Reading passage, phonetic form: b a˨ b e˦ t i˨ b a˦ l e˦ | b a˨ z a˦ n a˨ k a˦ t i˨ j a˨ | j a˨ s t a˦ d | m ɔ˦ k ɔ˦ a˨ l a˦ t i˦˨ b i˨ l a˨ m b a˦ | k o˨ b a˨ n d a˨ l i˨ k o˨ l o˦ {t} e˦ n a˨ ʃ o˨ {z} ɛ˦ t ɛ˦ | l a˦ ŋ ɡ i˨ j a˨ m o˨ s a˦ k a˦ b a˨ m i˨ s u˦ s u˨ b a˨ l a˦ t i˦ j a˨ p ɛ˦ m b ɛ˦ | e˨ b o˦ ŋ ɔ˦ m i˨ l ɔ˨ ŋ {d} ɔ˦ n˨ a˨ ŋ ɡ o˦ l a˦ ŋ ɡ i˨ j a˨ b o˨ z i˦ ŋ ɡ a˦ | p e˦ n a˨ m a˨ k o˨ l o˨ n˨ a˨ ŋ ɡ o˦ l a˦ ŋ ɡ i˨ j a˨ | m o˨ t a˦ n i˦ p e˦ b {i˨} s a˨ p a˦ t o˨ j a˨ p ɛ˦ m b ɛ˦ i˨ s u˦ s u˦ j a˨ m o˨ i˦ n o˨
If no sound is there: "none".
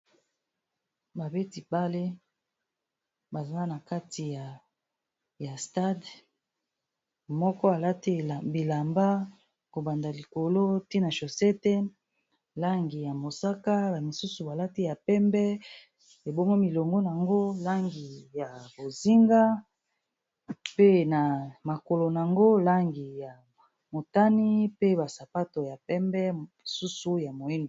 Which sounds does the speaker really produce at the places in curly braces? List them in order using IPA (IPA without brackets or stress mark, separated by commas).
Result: t, s, ɡ, a˨